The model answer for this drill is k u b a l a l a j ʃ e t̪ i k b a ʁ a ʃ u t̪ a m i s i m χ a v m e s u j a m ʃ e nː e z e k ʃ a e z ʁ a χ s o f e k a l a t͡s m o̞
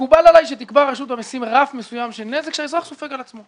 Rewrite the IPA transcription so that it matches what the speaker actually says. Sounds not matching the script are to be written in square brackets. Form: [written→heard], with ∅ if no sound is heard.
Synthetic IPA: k u b a l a l a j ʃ e t̪ i k b a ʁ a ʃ u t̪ a m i s i m [χ→ʁ] a [v→f] m e s u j a m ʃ e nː e z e k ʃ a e z ʁ a χ s o f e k a l a t͡s m o̞